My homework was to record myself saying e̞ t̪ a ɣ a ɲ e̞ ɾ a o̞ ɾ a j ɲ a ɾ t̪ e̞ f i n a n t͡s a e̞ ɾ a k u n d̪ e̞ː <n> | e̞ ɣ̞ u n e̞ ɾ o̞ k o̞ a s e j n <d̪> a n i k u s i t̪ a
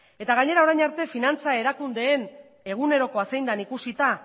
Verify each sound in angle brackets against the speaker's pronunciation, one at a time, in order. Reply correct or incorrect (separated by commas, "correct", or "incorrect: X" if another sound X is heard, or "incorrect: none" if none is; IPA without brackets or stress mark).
correct, correct